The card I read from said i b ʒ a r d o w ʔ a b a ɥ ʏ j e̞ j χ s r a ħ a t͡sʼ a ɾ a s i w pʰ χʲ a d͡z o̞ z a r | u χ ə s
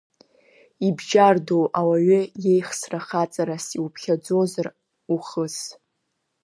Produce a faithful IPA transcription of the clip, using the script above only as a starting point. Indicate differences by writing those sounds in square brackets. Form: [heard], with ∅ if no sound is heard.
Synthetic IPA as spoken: i b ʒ a r d o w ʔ a [w] a ɥ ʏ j e̞ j χ s r a [χ] a t͡sʼ a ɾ a s i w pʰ χʲ a d͡z o̞ z a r | u χ ə s